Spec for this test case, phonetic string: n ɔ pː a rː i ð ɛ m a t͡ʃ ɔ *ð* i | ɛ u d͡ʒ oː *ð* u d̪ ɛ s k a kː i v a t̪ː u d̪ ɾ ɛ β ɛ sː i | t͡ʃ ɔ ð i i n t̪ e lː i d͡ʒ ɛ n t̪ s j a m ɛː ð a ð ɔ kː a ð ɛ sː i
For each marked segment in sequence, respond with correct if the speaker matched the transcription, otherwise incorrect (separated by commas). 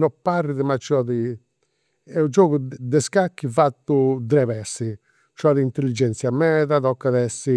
correct, incorrect